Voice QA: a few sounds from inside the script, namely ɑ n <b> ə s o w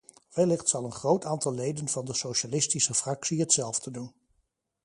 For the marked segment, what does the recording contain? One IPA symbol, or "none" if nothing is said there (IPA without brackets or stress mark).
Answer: d